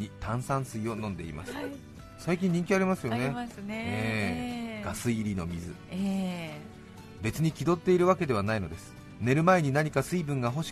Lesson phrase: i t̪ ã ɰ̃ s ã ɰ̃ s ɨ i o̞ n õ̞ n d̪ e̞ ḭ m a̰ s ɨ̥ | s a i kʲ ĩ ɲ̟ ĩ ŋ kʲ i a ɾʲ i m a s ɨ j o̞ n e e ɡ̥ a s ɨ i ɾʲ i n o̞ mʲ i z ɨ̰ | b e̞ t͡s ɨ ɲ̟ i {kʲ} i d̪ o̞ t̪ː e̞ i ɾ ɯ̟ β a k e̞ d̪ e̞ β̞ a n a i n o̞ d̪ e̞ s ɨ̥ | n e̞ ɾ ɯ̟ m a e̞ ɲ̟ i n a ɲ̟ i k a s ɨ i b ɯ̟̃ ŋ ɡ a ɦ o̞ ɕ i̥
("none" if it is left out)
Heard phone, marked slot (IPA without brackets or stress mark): kʲ